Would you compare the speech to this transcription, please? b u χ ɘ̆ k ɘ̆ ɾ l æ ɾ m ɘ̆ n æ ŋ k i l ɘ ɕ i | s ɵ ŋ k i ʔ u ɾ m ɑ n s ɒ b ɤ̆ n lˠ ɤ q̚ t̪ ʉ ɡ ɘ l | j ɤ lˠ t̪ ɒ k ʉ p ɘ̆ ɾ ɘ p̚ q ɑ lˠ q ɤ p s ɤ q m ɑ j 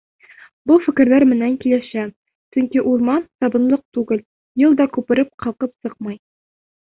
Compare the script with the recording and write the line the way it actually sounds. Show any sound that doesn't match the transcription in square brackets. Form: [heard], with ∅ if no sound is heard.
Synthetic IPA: b u [f] ɘ̆ k ɘ̆ ɾ l æ ɾ m ɘ̆ n æ ŋ k i l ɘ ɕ [æ] | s ɵ ŋ k i ʔ u ɾ m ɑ n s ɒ b ɤ̆ n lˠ ɤ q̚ t̪ ʉ ɡ ɘ l | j ɤ lˠ [d̪] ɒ k ʉ p ɘ̆ ɾ ɘ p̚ q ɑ lˠ q ɤ p s ɤ q m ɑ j